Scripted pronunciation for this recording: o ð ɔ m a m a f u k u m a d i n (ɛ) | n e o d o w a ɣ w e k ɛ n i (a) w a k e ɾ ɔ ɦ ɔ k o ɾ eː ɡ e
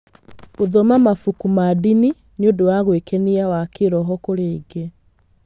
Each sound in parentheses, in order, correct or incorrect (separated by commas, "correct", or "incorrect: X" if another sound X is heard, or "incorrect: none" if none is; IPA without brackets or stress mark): incorrect: i, correct